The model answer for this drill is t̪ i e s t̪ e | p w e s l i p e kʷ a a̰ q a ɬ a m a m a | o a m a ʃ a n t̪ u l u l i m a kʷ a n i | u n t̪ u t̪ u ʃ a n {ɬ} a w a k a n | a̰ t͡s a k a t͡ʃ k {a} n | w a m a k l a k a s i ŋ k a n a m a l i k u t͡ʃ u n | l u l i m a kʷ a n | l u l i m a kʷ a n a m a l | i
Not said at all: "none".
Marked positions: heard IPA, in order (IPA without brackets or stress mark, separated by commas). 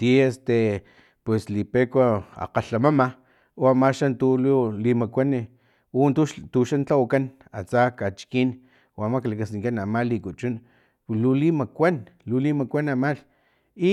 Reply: t͡ɬ, i